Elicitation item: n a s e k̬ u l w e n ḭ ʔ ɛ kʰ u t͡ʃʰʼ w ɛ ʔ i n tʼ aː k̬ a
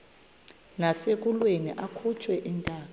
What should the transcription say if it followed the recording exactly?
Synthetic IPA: n a s e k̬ u l w e n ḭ ʔ a kʰ u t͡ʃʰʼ w ɛ ʔ i n tʼ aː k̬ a